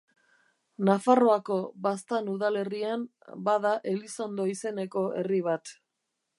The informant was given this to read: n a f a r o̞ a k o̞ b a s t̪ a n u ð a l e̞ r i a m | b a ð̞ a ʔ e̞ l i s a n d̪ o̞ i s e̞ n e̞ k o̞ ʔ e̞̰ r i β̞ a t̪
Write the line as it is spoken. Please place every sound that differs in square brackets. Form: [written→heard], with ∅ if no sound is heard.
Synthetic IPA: n a f a r o̞ a k o̞ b a s t̪ a n u ð a l e̞ r i a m | b a ð̞ a ʔ e̞ l i s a n d̪ o̞ i s e̞ n e̞ k o̞ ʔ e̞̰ r i β̞ a t̪